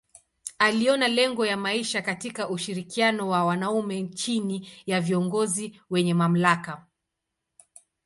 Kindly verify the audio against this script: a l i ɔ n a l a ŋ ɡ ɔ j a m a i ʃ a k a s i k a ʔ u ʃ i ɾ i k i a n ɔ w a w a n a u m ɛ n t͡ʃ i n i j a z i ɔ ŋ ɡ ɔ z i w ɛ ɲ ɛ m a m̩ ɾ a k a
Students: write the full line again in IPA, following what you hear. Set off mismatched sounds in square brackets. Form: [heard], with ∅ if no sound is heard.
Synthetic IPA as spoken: a l i ɔ n a l [ɛ] ŋ ɡ ɔ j a m a i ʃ a k a [t] i k a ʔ u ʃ i ɾ i k i a n ɔ w a w a n a u m ɛ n t͡ʃ i n i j a [v] i ɔ ŋ ɡ ɔ z i w ɛ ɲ ɛ m a m̩ [l] a k a